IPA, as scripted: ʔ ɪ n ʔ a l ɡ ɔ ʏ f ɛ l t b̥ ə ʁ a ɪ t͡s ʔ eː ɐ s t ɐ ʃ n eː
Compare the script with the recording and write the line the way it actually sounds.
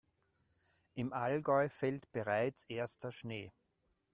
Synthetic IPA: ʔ ɪ m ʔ a l ɡ ɔ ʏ f ɛ l t b̥ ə ʁ a ɪ t͡s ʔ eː ɐ s t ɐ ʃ n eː